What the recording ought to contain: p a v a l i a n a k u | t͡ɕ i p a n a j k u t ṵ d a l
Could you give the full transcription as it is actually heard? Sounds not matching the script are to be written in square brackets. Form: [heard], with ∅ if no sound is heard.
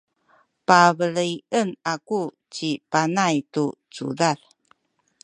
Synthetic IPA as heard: p a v [ə] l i [ə] n a k u | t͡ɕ i p a n a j [t] u [t͡s] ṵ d a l